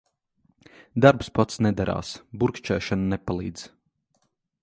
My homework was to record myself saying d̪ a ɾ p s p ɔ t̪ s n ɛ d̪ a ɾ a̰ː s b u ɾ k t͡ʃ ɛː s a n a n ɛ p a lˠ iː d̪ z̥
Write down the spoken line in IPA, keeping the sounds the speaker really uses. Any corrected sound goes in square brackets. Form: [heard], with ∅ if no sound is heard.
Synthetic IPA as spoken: d̪ a ɾ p s p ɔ t̪ s n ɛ d̪ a ɾ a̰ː s b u ɾ k t͡ʃ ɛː [ʃ] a n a n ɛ p a lˠ iː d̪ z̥